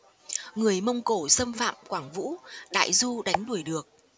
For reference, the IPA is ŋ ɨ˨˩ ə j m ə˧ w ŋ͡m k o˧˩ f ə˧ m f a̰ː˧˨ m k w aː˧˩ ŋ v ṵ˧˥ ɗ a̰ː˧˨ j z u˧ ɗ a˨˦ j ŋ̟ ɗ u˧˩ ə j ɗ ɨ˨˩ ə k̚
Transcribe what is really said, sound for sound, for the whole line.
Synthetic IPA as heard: ŋ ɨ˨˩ ə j m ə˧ w ŋ͡m k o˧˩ s ə˧ m f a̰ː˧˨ m k w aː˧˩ ŋ v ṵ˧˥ ɗ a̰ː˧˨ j z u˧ ɗ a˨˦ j ŋ̟ ɗ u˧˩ ə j ɗ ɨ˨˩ ə k̚